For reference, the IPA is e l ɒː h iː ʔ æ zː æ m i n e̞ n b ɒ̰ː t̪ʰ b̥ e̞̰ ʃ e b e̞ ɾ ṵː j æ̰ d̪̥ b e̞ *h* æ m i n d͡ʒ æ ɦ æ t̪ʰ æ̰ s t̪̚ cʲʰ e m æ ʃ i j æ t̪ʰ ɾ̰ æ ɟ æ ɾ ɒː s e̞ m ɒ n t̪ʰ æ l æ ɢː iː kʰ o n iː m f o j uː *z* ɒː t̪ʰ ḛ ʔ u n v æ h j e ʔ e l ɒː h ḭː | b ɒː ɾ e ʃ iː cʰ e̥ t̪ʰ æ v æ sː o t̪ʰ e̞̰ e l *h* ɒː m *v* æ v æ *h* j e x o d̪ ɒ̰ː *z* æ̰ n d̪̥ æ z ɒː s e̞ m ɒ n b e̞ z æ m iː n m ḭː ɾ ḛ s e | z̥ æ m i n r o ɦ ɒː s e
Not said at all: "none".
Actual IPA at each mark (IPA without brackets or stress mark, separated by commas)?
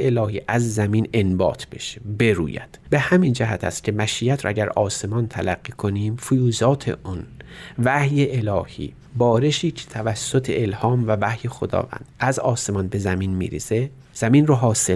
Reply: h, z, h, v, h, v